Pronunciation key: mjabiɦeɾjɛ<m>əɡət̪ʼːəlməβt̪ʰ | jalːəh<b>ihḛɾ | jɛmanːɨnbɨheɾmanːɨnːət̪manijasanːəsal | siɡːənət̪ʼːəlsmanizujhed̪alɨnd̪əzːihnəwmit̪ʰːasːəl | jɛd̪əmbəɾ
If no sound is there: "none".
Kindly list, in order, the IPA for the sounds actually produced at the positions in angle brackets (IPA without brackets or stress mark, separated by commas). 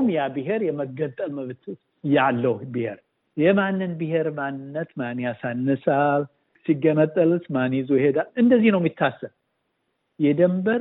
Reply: m, b